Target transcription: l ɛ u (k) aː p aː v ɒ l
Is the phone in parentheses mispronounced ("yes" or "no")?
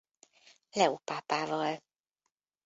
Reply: yes